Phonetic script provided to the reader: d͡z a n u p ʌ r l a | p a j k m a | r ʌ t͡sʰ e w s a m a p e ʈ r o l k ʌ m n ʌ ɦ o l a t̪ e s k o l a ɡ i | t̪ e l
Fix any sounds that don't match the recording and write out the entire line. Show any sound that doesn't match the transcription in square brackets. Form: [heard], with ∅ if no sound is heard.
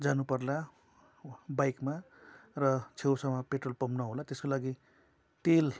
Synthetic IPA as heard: d͡z a n u p ʌ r l a | [b] a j k m a | r ʌ t͡sʰ e w s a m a p e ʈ r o l [p] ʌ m n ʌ ɦ o l a t̪ e s k o l a ɡ i | t̪ e l